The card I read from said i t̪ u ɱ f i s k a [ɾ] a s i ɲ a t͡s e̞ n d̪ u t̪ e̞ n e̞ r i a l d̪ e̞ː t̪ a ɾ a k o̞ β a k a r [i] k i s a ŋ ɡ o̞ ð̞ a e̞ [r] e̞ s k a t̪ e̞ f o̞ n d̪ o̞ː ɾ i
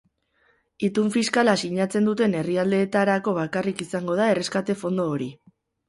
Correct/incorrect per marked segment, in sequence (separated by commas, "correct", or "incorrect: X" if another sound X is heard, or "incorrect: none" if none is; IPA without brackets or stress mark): incorrect: l, correct, correct